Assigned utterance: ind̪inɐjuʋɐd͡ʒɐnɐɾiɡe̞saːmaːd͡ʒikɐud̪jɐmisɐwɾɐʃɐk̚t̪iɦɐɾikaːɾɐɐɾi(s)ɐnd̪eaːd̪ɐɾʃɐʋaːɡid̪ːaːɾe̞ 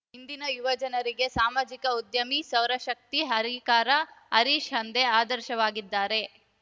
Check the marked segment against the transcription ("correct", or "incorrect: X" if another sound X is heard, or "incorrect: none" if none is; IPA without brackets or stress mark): incorrect: ʃ